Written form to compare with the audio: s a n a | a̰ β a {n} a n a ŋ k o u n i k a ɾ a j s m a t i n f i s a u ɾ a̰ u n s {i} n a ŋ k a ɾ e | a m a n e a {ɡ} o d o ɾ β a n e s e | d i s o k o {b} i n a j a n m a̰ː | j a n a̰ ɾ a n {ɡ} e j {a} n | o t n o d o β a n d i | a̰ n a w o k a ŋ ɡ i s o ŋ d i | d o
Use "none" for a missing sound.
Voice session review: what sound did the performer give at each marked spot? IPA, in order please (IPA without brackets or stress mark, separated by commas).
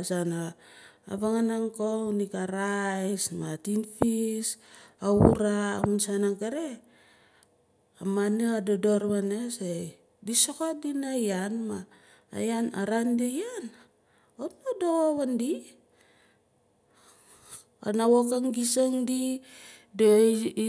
ŋ, a, d, d, d, a